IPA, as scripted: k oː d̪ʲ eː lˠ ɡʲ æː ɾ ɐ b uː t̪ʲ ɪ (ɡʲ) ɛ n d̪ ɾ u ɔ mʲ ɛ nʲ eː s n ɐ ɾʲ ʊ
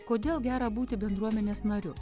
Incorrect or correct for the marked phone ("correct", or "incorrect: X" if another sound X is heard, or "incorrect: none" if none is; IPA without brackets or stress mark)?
incorrect: bʲ